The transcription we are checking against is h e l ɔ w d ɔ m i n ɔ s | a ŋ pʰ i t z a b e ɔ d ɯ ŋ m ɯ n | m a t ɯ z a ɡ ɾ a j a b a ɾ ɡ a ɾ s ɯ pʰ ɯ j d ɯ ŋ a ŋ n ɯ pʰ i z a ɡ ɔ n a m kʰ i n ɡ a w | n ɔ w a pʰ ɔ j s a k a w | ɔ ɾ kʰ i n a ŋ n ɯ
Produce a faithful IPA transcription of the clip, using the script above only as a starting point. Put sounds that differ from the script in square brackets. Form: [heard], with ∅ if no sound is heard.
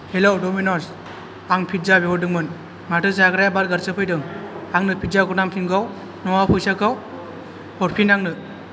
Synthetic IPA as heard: h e l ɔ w d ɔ m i n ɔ s | a ŋ pʰ i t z a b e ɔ d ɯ ŋ m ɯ n | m a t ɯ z a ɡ ɾ a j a b a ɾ ɡ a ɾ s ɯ pʰ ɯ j d ɯ ŋ a ŋ n ɯ pʰ i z a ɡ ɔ n a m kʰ i n ɡ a w | n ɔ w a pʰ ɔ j s a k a w | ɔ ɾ [pʰ] i n a ŋ n ɯ

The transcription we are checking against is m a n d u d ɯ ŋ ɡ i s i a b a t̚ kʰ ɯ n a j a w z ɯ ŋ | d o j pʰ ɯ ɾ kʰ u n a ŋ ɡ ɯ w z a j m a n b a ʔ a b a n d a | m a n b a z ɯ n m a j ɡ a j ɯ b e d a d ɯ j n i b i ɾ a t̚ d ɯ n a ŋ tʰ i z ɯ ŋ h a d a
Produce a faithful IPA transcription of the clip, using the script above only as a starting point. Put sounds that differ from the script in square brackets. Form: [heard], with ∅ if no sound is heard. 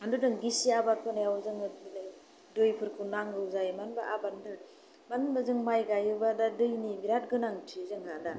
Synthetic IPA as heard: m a n d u d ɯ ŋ ɡ i s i a b a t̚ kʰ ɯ n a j a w z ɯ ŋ | d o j pʰ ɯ ɾ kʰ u n a ŋ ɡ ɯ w z a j m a n b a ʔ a b a n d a | m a n b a z ɯ [ŋ] m a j ɡ a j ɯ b [a] d a d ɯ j n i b i ɾ a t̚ [ɡ] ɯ n a ŋ tʰ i z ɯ ŋ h a d a

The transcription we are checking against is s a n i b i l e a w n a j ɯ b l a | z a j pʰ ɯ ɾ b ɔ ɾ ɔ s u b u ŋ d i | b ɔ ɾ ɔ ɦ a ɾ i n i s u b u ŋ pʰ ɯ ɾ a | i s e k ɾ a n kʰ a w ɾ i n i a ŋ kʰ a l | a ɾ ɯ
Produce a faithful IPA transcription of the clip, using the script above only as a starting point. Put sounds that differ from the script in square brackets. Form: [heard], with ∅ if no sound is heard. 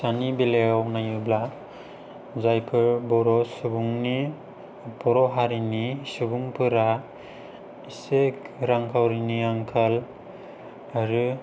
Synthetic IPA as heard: s a n i b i l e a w n a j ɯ b l a | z a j pʰ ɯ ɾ b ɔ ɾ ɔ s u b u ŋ [n] i | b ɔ ɾ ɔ ɦ a ɾ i n i s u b u ŋ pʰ ɯ ɾ a | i s e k ɾ a [ŋ] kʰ a w ɾ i n i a ŋ kʰ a l | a ɾ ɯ

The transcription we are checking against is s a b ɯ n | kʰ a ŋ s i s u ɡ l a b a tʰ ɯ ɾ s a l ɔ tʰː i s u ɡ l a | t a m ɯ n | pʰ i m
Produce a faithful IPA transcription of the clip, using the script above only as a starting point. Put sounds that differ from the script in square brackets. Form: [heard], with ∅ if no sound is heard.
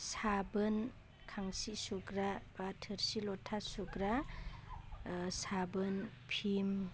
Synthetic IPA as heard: s a b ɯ n | kʰ a ŋ s i s u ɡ [ɾ] a b a tʰ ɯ ɾ s [i] l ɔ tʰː [a] s u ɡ [ɾ] a | [s] a [b] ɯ n | pʰ i m

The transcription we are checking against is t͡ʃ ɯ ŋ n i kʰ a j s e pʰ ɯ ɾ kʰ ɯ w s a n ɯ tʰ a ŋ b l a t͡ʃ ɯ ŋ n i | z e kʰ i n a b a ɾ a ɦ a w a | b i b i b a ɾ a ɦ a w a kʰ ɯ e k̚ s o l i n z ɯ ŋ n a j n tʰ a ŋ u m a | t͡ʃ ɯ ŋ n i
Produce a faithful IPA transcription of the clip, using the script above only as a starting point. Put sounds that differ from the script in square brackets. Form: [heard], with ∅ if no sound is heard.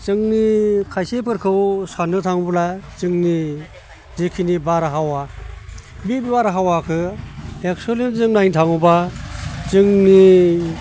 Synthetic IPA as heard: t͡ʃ ɯ ŋ n i kʰ a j s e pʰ ɯ ɾ kʰ ɯ w s a n ɯ tʰ a ŋ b l a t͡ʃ ɯ ŋ n i | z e kʰ i n [i] b a ɾ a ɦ a w a | b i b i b a ɾ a ɦ a w a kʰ ɯ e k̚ s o l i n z ɯ ŋ n a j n tʰ a ŋ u [b] a | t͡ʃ ɯ ŋ n i

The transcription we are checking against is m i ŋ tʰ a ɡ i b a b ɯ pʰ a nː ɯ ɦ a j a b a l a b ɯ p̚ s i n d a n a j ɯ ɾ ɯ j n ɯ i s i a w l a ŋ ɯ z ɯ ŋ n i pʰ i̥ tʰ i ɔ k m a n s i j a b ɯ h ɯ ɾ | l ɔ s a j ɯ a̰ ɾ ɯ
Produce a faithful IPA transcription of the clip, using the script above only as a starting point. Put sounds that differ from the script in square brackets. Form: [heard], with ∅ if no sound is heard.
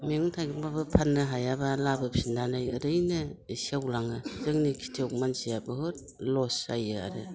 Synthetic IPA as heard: m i ŋ tʰ a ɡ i b a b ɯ pʰ a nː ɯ ɦ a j a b a l a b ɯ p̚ s i n d a n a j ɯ ɾ ɯ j n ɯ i s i a w l a ŋ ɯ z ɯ ŋ n i [kʰ] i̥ tʰ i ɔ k m a n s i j a b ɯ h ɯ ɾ | l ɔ s a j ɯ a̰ ɾ ɯ

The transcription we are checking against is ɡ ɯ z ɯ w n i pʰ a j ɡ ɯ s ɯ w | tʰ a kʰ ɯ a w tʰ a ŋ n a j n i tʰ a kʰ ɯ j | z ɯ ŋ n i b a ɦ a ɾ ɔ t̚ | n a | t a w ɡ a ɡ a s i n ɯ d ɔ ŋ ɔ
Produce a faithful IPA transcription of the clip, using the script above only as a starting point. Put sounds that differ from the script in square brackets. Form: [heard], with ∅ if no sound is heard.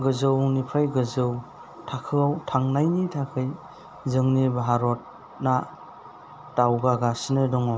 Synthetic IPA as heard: ɡ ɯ z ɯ w n i pʰ a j ɡ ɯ [z] ɯ w | tʰ a kʰ ɯ a w tʰ a ŋ n a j n i tʰ a kʰ ɯ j | z ɯ ŋ n i b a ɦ a ɾ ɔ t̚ | n a | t a w ɡ a ɡ a s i n ɯ d ɔ ŋ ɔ

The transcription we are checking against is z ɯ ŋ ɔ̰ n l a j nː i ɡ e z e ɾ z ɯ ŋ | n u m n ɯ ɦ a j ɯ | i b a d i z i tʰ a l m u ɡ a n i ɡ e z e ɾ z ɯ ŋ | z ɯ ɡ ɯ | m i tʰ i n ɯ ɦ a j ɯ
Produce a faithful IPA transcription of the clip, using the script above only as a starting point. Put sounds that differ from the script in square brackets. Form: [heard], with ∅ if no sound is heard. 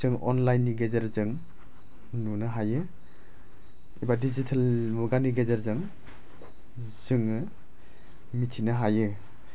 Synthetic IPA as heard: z ɯ ŋ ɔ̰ n l a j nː i ɡ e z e ɾ z ɯ ŋ | n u [∅] n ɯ ɦ a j ɯ | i b a d i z i tʰ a l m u ɡ a n i ɡ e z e ɾ z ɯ ŋ | z ɯ [ŋ] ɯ | m i tʰ i n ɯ ɦ a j ɯ

